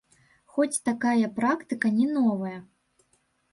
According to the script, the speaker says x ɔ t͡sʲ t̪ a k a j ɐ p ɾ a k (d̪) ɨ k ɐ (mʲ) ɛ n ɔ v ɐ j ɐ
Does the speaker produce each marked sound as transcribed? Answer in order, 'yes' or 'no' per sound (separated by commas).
no, no